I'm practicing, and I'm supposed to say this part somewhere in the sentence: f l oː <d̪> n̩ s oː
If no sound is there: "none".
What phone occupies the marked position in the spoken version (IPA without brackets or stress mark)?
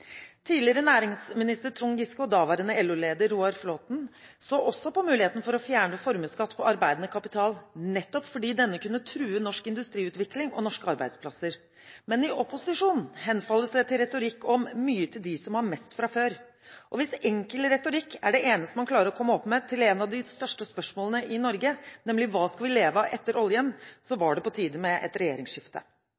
t̪